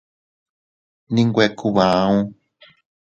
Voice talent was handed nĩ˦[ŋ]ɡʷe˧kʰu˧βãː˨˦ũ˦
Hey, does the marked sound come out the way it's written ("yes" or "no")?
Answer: yes